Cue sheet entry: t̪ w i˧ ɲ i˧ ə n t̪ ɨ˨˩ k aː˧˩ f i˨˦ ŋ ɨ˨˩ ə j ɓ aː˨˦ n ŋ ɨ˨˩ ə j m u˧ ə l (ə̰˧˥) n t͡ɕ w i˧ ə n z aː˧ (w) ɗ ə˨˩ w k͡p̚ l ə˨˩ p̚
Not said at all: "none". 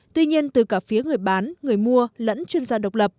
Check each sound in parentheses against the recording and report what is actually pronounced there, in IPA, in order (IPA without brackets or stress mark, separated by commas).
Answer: ə̰˧˥, none